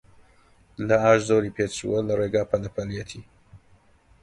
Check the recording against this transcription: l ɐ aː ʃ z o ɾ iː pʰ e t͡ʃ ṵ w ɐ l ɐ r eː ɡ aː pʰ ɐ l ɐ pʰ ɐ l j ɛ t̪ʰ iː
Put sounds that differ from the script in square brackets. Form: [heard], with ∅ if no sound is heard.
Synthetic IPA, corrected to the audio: l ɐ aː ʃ z o ɾ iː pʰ e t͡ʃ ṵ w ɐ l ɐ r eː ɡ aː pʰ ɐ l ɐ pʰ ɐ l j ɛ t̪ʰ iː